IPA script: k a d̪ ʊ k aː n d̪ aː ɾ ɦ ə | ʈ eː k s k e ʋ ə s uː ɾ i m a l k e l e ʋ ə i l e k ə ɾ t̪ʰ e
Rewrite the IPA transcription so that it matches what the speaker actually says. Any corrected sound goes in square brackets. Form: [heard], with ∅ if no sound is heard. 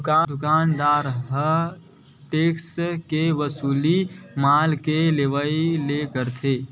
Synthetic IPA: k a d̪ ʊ k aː n d̪ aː ɾ ɦ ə | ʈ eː k s k e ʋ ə s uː [l] i m a l k e l e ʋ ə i l e k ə ɾ t̪ʰ e

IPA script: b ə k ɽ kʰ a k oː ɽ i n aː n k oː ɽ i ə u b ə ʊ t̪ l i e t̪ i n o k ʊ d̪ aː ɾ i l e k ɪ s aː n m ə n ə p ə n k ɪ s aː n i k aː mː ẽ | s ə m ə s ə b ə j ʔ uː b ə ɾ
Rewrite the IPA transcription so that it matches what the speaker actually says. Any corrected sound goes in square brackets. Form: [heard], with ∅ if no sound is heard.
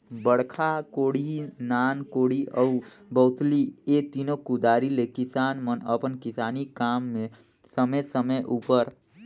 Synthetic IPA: b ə [∅] ɽ kʰ a k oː ɽ i n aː n k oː ɽ i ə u b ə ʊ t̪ l i e t̪ i n o k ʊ d̪ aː ɾ i l e k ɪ s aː n m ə n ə p ə n k ɪ s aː n i k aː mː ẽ | s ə m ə s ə [m] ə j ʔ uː [p] ə ɾ

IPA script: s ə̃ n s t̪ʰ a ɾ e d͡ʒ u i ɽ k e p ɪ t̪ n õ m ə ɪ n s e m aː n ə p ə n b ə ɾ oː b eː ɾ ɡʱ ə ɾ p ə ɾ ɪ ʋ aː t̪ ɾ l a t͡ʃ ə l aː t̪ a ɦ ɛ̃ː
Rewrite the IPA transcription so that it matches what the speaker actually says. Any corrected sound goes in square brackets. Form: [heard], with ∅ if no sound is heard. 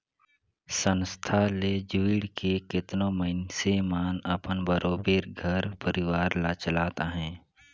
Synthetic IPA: s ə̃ n s t̪ʰ a [l] e d͡ʒ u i ɽ k e [k] ɪ t̪ n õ m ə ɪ n s e m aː n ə p ə n b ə ɾ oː b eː ɾ ɡʱ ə ɾ p ə ɾ ɪ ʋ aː [∅] ɾ l a t͡ʃ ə l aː t̪ a ɦ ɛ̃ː

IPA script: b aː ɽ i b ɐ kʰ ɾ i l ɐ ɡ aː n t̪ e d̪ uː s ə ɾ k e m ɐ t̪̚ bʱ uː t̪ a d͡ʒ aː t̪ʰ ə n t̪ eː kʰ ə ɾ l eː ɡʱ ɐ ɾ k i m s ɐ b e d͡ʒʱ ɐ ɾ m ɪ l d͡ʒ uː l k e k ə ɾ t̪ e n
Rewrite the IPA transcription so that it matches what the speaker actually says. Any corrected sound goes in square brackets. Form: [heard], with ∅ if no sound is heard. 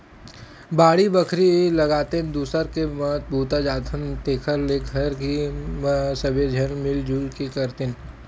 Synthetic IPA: b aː ɽ i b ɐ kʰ ɾ i l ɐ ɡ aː [∅] t̪ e d̪ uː s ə ɾ k e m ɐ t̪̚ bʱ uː t̪ a d͡ʒ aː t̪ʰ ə n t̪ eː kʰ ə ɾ l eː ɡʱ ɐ ɾ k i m s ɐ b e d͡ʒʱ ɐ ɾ m ɪ l d͡ʒ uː l k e k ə ɾ t̪ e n

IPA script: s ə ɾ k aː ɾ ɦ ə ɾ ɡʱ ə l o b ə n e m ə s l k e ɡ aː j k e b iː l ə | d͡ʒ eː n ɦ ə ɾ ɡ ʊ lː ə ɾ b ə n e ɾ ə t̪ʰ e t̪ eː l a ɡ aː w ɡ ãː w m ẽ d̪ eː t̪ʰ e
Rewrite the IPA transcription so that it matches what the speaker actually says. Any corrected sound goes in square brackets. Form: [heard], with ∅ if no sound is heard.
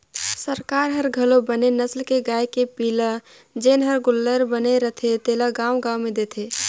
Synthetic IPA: s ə ɾ k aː ɾ ɦ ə ɾ ɡʱ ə l o b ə n e [n] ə s l k e ɡ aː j k e [p] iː l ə | d͡ʒ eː n ɦ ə ɾ ɡ ʊ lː ə ɾ b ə n e ɾ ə t̪ʰ e t̪ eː l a ɡ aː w ɡ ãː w m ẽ d̪ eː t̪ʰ e

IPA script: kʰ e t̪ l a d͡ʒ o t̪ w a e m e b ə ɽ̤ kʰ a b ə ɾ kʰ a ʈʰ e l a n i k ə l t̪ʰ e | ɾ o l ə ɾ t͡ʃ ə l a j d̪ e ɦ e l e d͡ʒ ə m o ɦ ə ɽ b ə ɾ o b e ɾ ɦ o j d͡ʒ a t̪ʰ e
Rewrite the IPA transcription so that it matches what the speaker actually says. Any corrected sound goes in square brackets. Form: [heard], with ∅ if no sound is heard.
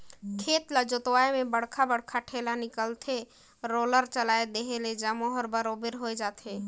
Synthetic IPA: kʰ e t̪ l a d͡ʒ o t̪ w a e m e b ə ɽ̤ kʰ a b ə [ɽ] kʰ a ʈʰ e l a n i k ə l t̪ʰ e | ɾ o l ə ɾ t͡ʃ ə l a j d̪ e ɦ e l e d͡ʒ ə m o ɦ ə [ɾ] b ə ɾ o b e ɾ ɦ o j d͡ʒ a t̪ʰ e

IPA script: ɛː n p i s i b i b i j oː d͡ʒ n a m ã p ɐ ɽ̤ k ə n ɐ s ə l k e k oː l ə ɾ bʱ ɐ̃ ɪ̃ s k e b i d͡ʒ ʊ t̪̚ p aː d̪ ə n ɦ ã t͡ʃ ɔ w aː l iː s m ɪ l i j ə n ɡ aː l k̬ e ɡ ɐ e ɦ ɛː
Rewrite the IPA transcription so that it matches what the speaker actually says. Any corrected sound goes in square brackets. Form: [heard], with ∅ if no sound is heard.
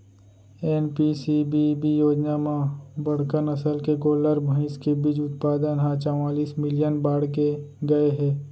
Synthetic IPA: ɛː n p i s i b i b i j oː d͡ʒ n a m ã [b] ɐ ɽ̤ k ə n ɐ s ə l k e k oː l ə ɾ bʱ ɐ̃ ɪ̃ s k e b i d͡ʒ ʊ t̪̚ p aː d̪ ə n ɦ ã t͡ʃ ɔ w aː l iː s m ɪ l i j ə n [b] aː [ɽ] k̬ e ɡ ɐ e ɦ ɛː

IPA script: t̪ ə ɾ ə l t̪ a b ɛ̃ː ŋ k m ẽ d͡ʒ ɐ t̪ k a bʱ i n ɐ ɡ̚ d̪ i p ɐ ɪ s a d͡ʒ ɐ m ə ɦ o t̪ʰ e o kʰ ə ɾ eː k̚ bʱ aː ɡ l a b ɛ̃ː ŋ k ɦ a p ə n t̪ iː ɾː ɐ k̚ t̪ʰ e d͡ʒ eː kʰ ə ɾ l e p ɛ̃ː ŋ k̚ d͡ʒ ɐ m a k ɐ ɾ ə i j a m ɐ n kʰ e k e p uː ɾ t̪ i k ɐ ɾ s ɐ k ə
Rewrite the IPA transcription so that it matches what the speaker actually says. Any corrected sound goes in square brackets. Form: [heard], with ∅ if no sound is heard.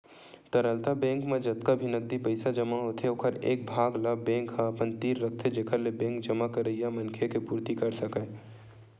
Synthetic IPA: t̪ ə ɾ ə l t̪ a b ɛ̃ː ŋ k m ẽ d͡ʒ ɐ t̪ k a bʱ i n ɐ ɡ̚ d̪ i p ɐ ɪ s a d͡ʒ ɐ m [a] ɦ o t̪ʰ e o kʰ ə ɾ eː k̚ bʱ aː ɡ l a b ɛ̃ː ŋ k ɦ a p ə n t̪ iː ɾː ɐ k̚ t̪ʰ e d͡ʒ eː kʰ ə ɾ l e [b] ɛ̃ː ŋ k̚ d͡ʒ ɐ m a k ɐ ɾ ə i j a m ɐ n kʰ e k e p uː ɾ t̪ i k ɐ ɾ s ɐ k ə

